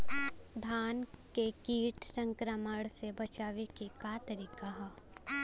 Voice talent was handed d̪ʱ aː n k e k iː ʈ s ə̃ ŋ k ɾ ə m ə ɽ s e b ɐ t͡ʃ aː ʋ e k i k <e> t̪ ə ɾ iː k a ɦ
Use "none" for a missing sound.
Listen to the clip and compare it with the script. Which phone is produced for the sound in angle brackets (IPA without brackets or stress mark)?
a